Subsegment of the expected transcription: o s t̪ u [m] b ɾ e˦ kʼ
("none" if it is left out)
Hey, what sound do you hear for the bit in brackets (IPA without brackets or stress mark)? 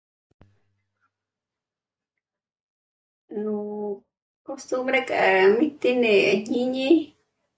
m